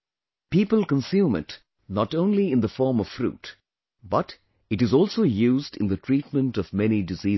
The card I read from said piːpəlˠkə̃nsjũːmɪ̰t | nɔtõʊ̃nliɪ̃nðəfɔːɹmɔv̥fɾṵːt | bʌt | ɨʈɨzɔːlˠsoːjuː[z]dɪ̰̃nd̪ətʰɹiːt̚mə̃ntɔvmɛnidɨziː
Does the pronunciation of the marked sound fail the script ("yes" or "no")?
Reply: no